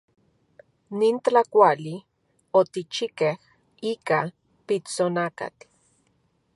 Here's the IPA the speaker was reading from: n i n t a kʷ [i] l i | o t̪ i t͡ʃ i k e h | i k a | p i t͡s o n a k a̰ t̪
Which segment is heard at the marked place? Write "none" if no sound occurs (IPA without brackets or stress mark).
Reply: a